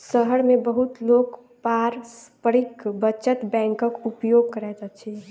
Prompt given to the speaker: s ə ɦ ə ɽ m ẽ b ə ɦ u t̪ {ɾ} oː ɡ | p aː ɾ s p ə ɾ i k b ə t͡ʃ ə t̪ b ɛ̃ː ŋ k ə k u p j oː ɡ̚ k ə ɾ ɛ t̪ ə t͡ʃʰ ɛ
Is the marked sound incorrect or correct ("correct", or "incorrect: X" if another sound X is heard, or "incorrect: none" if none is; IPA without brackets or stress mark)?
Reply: incorrect: l